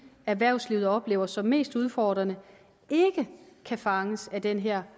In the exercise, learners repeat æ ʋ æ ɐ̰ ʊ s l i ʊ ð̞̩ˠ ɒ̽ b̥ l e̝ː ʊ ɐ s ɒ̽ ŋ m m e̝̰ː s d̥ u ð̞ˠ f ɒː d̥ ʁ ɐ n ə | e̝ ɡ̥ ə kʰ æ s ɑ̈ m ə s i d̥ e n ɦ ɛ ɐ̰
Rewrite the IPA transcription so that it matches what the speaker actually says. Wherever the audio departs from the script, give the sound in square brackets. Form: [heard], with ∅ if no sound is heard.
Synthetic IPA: æ ʋ æ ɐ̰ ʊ s l i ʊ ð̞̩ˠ ɒ̽ b̥ l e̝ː ʊ ɐ s ɒ̽ [∅] m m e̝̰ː s d̥ u ð̞ˠ f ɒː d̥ ʁ ɐ n ə | e̝ ɡ̥ ə kʰ æ [f] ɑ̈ [ŋ] ə s [æ] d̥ e n ɦ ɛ ɐ̰